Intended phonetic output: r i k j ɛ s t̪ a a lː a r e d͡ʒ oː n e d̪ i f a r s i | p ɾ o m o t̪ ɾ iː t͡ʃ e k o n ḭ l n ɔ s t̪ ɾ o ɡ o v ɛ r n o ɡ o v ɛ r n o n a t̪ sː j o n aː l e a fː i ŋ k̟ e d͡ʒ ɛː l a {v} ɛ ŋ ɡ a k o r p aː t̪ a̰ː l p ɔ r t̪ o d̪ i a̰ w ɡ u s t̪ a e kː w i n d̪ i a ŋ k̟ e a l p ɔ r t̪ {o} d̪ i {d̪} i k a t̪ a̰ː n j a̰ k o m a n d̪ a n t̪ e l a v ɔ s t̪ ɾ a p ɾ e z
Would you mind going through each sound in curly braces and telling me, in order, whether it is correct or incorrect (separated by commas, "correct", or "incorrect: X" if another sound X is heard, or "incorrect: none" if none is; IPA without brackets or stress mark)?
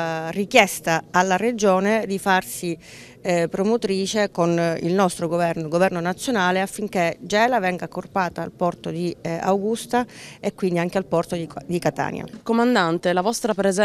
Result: correct, correct, correct